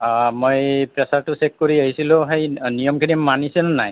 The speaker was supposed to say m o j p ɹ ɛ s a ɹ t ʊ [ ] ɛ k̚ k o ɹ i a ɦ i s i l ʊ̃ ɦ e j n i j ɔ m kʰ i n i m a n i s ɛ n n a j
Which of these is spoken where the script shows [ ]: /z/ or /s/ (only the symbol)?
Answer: s